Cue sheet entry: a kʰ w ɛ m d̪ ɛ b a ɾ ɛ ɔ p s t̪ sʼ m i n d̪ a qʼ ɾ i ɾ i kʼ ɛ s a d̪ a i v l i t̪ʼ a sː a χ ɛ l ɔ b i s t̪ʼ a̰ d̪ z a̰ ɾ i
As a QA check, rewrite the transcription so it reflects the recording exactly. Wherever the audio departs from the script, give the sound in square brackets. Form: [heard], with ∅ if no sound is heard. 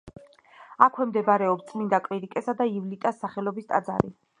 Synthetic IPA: a kʰ w ɛ m d̪ ɛ b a ɾ ɛ ɔ p s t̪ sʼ m i n d̪ a [kʼ] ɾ i ɾ i kʼ ɛ s a d̪ a i v l i t̪ʼ a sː a χ ɛ l ɔ b i s t̪ʼ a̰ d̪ z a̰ ɾ i